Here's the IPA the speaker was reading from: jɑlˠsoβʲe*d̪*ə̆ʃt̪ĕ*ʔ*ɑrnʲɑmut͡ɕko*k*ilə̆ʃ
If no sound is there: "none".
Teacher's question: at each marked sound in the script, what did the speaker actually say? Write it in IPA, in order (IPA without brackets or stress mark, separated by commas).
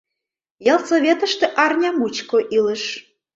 t̪, ʔ, ʔ